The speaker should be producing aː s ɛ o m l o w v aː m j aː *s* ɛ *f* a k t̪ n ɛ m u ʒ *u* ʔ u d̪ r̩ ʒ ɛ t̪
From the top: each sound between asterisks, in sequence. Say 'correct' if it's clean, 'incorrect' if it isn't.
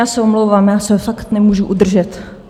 correct, correct, correct

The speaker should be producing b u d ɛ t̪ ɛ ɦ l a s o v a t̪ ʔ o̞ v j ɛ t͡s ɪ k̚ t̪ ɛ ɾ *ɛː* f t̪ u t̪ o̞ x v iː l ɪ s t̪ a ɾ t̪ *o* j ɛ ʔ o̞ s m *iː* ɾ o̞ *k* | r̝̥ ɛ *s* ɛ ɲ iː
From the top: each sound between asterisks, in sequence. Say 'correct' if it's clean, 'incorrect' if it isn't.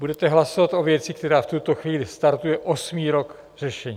incorrect, incorrect, correct, correct, incorrect

